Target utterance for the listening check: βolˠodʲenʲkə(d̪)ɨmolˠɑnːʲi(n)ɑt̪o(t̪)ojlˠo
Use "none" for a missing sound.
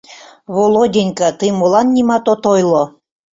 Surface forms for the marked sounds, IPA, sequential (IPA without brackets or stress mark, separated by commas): t̪, m, t̪